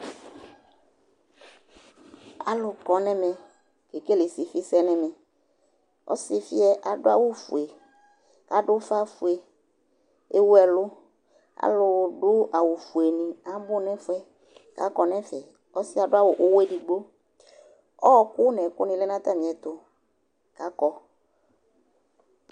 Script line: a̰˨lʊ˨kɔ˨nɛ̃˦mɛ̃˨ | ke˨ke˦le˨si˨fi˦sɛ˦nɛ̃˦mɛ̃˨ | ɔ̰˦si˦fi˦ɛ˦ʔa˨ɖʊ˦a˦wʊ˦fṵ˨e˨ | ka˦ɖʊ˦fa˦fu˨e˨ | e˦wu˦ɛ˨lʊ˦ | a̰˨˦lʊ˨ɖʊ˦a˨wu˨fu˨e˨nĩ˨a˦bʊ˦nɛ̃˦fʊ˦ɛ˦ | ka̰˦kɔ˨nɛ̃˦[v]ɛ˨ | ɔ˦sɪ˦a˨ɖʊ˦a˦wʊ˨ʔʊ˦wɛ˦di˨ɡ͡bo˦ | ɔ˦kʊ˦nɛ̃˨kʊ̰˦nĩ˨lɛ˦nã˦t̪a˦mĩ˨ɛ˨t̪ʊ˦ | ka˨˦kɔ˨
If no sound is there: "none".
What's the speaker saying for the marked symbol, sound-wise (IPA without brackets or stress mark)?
f